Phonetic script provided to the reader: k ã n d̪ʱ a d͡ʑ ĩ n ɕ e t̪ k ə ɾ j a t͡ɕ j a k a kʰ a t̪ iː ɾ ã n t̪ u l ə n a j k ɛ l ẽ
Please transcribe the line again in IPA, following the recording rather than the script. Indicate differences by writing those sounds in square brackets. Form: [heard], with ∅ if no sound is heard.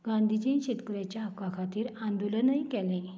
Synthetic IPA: [ɡ] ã n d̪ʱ [i] d͡ʑ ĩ n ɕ e t̪ k ə ɾ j a t͡ɕ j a k a kʰ a t̪ iː ɾ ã n [d̪] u l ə n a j k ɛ l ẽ